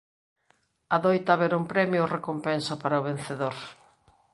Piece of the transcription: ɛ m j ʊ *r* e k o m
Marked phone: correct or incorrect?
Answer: correct